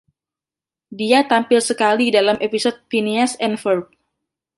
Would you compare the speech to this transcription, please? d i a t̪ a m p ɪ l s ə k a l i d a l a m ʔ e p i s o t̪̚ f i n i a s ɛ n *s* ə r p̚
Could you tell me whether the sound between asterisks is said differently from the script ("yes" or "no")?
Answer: yes